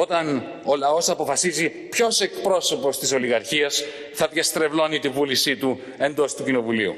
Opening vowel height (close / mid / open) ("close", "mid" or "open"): mid